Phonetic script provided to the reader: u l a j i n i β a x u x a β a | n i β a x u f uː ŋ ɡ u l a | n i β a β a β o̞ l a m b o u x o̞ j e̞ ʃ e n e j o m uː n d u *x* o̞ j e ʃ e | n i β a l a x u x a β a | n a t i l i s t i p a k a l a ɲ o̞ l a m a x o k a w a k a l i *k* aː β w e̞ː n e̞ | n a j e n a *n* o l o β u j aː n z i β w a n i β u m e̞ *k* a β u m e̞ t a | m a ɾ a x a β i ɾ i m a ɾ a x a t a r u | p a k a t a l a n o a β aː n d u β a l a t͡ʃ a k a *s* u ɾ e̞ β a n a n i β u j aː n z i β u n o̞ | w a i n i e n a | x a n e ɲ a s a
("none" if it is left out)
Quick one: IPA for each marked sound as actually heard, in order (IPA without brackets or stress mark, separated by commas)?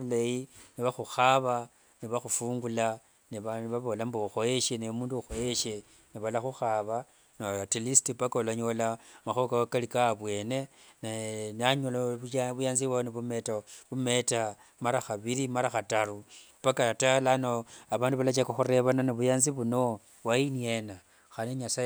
x, k, ɲ, t, x